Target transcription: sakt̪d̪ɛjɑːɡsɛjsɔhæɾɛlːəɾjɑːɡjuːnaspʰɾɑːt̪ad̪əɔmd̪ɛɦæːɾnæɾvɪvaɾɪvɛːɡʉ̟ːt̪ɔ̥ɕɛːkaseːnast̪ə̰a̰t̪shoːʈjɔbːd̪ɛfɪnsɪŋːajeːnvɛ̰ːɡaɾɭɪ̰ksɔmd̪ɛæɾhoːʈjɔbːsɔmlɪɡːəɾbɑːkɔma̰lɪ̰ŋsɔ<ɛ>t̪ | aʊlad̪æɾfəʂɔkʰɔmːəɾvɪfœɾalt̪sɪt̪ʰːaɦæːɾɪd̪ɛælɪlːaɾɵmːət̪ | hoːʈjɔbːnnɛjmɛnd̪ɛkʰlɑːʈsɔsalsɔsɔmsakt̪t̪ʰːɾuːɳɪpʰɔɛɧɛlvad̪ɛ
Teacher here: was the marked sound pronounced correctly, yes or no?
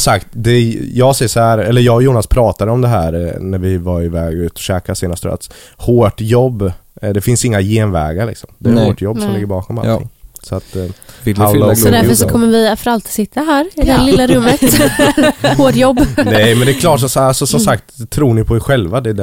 no